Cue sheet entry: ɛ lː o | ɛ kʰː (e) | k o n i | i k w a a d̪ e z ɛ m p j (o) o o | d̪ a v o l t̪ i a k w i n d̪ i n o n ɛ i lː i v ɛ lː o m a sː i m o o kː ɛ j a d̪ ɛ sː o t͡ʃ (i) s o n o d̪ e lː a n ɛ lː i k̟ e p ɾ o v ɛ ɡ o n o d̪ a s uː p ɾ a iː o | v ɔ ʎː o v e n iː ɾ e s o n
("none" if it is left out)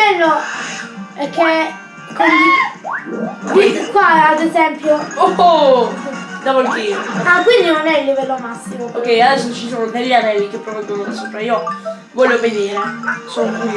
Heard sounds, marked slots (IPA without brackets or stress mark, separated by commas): e, o, i